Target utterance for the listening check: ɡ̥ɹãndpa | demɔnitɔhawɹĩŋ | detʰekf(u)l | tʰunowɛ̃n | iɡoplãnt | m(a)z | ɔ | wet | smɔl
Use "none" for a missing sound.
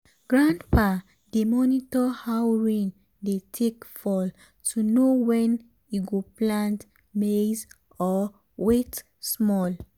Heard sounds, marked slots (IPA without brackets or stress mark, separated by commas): ɔ, e